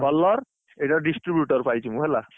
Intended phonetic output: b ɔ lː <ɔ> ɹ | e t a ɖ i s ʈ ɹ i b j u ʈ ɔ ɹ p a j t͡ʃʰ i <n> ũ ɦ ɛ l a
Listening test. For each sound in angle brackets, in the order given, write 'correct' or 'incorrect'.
correct, incorrect: m

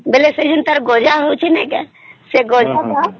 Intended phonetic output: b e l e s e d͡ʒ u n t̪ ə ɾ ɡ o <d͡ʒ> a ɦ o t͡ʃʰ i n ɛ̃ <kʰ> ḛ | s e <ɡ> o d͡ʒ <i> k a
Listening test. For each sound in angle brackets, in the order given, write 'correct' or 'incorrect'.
correct, incorrect: k, correct, incorrect: a

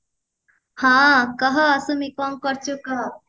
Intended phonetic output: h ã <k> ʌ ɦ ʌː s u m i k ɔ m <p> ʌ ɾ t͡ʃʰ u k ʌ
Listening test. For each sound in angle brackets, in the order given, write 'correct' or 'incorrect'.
correct, incorrect: k

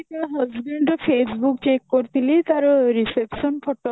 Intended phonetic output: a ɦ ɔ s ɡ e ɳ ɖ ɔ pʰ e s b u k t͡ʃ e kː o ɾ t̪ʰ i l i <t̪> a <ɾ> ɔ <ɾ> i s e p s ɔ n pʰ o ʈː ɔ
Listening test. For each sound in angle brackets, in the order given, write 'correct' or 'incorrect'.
correct, correct, correct

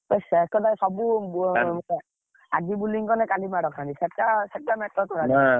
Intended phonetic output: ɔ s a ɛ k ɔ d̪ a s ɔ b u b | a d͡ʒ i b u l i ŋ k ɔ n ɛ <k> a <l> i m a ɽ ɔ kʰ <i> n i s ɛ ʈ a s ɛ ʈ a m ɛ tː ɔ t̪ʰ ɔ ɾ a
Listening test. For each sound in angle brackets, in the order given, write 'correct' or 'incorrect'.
correct, correct, incorrect: a

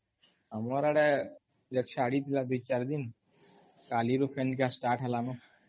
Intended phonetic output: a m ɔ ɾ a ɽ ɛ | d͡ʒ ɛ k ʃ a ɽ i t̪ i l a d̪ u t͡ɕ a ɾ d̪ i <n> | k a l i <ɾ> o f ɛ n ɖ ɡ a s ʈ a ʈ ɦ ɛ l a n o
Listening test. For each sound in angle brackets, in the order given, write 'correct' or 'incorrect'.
correct, correct

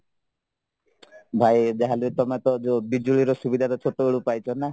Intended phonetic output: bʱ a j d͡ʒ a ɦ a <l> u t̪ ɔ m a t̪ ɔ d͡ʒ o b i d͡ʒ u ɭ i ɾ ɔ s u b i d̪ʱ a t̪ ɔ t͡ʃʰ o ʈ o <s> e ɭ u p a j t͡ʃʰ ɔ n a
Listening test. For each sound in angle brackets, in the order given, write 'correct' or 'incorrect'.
correct, incorrect: none

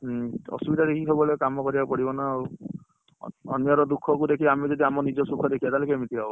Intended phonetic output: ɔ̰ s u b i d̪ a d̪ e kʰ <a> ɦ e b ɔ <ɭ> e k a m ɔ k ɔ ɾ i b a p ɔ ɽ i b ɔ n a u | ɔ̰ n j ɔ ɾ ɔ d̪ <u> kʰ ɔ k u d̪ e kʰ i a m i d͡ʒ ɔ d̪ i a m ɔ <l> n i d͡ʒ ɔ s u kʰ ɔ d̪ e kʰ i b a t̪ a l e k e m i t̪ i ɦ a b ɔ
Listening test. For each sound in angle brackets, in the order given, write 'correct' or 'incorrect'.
incorrect: i, incorrect: l, correct, incorrect: none

